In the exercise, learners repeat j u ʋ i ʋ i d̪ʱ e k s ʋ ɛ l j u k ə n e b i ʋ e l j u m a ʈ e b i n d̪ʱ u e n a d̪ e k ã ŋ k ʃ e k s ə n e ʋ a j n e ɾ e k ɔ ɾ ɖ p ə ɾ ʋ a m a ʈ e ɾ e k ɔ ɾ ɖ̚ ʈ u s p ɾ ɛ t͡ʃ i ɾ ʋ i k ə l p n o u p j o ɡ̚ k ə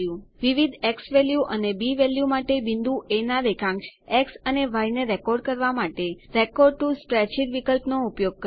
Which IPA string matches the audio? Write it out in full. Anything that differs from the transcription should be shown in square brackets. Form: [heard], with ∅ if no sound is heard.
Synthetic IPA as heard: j u ʋ i ʋ i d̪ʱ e k s ʋ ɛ l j u [ʔ] ə n e b i ʋ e l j u m a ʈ e b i n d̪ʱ u e n a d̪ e k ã ŋ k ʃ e k s ə n e ʋ a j n e ɾ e k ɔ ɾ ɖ [k] ə ɾ ʋ a m a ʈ e ɾ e k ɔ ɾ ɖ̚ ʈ u s p ɾ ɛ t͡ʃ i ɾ ʋ i k ə l p n o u p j o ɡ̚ k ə